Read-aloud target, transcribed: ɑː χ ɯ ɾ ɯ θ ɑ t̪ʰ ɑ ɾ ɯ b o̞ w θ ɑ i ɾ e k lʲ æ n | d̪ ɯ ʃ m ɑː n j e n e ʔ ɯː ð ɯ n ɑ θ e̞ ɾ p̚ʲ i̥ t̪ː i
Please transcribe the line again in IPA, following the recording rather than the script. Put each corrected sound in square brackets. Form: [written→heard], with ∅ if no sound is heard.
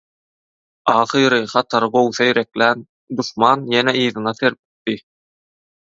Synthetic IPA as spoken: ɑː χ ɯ ɾ ɯ [θ→χ] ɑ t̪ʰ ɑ ɾ ɯ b o̞ w θ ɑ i ɾ e k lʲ æ n | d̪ [ɯ→u] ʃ m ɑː n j e n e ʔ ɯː ð ɯ n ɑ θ e̞ ɾ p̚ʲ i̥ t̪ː i